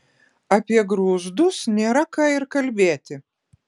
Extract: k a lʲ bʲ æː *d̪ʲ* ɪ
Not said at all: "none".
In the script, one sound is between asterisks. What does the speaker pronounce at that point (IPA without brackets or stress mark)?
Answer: t̪ʲ